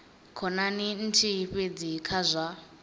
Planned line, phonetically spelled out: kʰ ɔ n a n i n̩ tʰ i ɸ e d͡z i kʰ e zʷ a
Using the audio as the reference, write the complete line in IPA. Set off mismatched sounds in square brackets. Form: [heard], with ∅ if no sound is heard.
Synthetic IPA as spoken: kʰ ɔ n a n i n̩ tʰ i ɸ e d͡z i kʰ [a] zʷ a

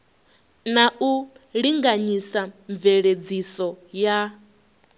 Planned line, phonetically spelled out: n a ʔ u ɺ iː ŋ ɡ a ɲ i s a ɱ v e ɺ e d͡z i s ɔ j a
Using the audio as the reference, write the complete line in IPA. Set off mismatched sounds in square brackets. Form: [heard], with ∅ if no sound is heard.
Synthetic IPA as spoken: n a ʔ u ɺ [i] ŋ ɡ a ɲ i s a ɱ v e ɺ e d͡z i s ɔ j a

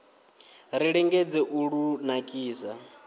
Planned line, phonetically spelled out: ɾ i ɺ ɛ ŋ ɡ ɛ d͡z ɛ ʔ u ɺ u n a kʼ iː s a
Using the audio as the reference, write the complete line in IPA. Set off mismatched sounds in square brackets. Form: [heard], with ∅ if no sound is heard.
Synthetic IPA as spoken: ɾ i ɺ ɛ ŋ ɡ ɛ d͡z ɛ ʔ u ɺ u n a kʼ iː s a

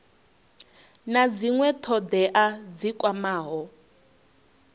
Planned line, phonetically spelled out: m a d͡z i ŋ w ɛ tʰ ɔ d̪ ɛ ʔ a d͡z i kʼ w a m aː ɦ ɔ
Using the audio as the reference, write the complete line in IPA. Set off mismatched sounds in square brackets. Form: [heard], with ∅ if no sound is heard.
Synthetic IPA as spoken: [n] a d͡z i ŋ w ɛ tʰ ɔ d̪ ɛ ʔ a d͡z i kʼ w a m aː ɦ ɔ

